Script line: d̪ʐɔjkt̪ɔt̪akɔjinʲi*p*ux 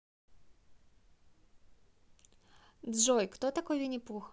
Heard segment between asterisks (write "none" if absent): p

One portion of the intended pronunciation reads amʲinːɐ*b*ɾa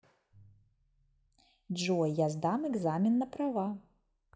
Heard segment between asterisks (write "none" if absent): p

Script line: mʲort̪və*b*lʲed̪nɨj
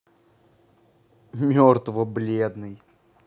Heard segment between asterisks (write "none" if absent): b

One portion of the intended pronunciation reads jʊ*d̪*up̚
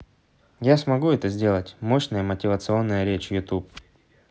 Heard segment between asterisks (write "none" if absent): t̪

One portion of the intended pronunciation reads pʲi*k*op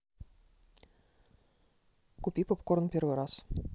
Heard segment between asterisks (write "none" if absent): p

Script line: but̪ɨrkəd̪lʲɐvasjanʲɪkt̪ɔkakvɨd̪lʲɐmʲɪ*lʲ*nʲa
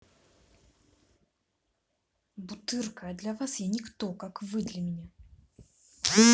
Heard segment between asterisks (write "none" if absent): none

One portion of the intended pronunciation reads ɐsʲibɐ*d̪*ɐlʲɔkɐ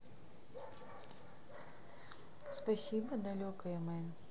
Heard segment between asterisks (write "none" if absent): d̪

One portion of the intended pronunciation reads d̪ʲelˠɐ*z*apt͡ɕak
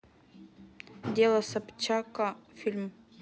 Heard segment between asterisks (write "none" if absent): s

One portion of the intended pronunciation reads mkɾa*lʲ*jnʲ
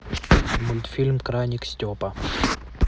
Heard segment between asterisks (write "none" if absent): none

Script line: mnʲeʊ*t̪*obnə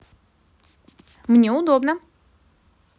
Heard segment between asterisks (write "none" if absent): d̪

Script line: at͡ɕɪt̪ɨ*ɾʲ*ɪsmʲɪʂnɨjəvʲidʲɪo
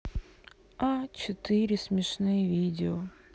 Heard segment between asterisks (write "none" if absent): ɾʲ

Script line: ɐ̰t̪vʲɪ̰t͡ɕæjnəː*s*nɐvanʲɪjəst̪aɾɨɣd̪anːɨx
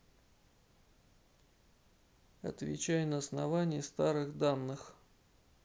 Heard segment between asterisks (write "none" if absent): s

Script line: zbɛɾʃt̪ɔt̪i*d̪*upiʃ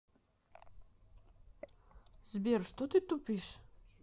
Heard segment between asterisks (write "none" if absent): t̪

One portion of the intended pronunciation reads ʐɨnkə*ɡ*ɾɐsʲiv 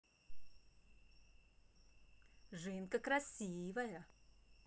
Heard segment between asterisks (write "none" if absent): k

